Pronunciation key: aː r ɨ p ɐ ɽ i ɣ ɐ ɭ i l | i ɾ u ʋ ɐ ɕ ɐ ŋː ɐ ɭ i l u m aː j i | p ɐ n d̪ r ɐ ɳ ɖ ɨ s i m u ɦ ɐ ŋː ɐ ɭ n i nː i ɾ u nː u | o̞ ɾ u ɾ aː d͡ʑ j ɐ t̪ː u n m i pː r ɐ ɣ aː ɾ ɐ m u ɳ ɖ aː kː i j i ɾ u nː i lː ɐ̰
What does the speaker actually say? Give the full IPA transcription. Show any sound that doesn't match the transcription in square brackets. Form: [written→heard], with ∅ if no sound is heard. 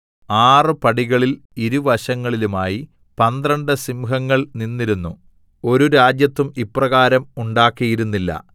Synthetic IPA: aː r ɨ p ɐ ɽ i ɣ ɐ ɭ i l | i ɾ u ʋ ɐ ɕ ɐ ŋː ɐ ɭ i l u m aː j i | p ɐ n d̪ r ɐ ɳ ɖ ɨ s i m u ɦ ɐ ŋː ɐ ɭ n i nː i ɾ u nː u | o̞ ɾ u ɾ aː d͡ʑ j ɐ t̪ː u [n→∅] m i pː r ɐ ɣ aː ɾ ɐ m u ɳ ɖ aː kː i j i ɾ u nː i lː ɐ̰